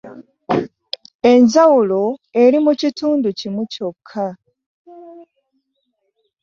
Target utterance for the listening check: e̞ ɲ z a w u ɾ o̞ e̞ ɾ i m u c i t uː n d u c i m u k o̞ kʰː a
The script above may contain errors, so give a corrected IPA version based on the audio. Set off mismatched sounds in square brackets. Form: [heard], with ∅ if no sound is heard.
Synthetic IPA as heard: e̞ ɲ z a w u [l] o̞ e̞ ɾ i m u c i t uː n d u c i m u [c] o̞ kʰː a